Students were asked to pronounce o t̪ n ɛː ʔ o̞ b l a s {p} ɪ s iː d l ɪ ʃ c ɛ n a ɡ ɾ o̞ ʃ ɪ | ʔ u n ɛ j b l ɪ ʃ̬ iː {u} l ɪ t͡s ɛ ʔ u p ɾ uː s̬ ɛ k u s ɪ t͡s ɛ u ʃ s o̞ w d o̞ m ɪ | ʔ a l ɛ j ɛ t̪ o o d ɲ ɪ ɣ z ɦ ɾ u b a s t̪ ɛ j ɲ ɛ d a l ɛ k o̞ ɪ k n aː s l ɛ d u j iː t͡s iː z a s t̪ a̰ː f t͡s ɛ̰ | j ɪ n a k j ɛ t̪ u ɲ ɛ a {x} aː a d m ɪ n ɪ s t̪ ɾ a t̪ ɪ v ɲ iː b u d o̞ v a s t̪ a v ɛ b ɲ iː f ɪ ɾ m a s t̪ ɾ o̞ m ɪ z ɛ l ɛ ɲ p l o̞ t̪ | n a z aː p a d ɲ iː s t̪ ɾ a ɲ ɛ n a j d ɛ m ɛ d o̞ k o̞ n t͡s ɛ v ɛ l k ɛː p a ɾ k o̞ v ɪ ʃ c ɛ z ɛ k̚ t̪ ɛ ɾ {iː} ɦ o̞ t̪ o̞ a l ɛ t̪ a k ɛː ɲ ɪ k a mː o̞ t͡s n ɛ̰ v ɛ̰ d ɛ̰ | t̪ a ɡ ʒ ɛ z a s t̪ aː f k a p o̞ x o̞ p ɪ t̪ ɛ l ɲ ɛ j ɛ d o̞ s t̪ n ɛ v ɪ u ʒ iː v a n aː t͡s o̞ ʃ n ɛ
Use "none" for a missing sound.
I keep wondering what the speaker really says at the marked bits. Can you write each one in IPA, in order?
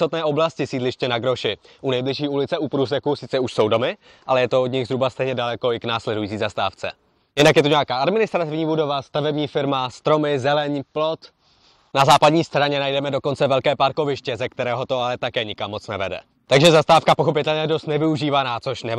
c, u, k, ɛː

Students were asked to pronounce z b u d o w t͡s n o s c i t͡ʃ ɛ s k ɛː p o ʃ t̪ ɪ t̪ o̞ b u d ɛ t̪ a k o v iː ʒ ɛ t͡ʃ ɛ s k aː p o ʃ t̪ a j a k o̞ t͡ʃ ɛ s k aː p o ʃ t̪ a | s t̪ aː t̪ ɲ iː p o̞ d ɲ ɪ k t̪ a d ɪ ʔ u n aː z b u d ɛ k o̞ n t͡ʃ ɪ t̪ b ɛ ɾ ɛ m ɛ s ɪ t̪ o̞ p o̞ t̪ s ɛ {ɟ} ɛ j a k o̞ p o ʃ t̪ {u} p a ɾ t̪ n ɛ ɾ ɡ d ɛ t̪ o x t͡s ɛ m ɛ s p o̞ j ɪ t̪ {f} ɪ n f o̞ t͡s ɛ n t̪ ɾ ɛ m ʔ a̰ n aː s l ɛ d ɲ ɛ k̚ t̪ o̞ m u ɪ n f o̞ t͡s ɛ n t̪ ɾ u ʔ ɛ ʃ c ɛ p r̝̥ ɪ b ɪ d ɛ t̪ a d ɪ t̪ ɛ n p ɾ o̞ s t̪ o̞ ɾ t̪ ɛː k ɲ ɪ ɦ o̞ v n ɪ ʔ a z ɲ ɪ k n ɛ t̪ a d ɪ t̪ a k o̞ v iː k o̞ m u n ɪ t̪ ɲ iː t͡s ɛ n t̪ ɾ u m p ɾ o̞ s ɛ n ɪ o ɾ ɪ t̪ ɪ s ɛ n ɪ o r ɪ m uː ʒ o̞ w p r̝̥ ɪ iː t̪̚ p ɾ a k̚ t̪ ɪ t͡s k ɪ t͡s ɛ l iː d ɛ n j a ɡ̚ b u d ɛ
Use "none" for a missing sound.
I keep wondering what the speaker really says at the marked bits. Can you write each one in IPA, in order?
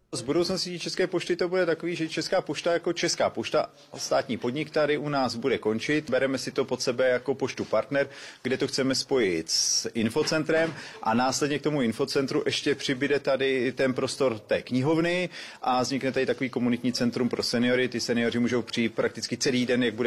b, u, s

